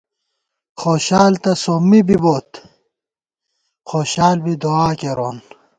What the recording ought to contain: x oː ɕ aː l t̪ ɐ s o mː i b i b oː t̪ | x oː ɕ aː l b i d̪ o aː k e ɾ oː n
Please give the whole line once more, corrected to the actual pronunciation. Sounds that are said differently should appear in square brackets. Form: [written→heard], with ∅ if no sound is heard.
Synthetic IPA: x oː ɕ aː l t̪ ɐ s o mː i b i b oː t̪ | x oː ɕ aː l b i d̪ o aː k e ɾ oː n